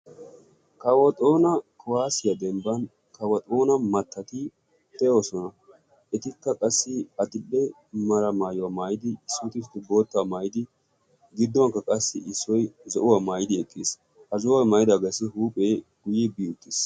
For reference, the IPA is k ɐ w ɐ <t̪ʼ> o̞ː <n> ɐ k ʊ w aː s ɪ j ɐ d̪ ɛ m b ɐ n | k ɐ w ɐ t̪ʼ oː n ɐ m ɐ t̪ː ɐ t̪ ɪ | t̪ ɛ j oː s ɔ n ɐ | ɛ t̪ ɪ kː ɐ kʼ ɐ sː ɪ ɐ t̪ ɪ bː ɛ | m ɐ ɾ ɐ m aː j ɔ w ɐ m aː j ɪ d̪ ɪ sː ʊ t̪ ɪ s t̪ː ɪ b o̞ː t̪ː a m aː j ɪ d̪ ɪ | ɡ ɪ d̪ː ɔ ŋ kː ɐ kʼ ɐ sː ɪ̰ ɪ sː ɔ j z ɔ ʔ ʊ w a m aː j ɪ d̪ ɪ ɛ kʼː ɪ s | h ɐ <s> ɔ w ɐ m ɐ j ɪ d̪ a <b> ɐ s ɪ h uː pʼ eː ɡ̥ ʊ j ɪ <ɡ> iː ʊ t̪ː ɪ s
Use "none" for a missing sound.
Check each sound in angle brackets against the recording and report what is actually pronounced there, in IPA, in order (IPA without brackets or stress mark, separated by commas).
t̪ʼ, n, z, ɡ, b